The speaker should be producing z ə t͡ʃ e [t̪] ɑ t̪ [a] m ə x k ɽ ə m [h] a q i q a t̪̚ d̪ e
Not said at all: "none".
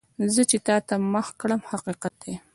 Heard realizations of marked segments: t̪, a, h

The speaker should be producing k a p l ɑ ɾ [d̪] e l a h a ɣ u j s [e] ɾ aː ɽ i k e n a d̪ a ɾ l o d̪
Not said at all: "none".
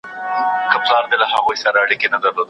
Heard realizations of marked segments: d̪, a

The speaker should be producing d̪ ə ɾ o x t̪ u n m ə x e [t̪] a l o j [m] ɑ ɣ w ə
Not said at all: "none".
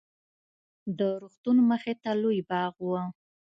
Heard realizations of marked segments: t̪, b

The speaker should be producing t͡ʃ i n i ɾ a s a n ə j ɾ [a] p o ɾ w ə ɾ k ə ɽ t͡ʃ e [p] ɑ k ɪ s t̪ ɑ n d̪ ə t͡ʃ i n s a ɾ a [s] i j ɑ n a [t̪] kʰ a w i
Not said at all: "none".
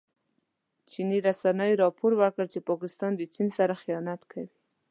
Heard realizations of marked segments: ɑ, p, x, t̪

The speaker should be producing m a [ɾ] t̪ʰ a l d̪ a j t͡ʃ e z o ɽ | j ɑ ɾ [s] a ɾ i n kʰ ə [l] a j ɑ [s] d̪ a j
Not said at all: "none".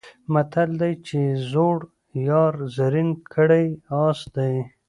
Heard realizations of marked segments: none, z, ɽ, s

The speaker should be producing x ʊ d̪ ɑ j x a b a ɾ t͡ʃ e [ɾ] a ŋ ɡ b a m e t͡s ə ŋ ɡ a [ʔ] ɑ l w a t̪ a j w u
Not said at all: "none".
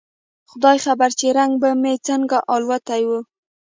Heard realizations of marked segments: ɾ, ʔ

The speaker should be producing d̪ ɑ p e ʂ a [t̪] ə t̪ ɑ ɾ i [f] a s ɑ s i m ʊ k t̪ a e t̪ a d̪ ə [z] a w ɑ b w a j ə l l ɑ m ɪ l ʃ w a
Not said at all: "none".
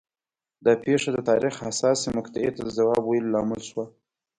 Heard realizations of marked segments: d̪, x, z

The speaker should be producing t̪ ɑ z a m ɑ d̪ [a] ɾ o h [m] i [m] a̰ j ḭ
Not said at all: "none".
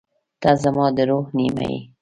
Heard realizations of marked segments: ə, n, m

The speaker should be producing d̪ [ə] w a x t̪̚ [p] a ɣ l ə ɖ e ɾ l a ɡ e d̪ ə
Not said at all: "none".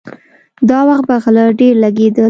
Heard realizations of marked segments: ɑ, b

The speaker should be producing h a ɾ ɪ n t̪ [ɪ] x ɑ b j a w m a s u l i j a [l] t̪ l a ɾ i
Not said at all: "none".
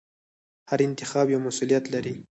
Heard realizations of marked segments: ɪ, none

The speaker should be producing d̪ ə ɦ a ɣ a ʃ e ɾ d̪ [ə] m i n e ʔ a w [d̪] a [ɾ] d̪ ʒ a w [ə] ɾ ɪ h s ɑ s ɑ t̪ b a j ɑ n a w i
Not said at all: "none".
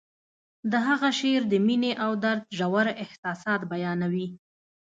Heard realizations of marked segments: ə, d̪, ɾ, a

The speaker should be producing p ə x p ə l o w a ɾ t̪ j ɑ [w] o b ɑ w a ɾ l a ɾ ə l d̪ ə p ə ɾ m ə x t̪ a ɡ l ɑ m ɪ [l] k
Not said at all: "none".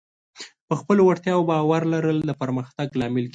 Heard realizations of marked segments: w, l

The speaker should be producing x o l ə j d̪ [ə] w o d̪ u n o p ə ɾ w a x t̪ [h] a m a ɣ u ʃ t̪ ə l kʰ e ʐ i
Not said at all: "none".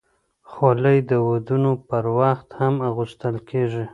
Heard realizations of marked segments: ə, h

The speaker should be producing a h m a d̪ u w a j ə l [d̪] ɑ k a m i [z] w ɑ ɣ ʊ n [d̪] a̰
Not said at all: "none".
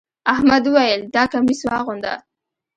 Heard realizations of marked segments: d̪, s, d̪

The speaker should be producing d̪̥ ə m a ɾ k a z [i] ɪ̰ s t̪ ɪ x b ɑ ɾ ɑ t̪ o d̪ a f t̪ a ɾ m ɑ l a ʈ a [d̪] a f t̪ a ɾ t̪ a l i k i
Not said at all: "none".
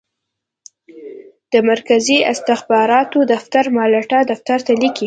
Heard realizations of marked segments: i, d̪

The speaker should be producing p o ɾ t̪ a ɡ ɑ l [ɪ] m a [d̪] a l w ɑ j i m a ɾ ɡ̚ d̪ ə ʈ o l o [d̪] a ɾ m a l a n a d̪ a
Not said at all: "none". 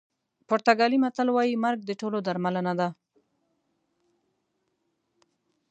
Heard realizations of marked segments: i, t̪, d̪

